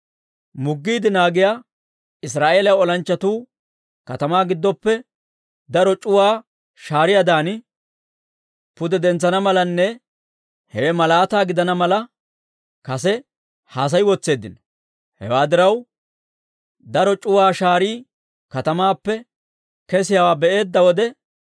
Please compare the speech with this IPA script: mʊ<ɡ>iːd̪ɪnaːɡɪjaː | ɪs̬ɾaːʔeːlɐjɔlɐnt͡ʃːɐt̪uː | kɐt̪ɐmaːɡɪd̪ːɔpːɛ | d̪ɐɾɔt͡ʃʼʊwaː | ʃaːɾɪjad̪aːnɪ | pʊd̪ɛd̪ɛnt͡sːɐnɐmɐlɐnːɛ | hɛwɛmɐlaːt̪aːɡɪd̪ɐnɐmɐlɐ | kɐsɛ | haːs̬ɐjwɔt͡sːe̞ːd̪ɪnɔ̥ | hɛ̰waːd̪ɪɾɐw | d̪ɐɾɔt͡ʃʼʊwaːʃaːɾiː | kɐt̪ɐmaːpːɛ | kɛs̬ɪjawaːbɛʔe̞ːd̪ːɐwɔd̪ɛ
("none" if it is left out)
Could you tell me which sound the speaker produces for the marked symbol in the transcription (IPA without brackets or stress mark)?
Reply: ɡː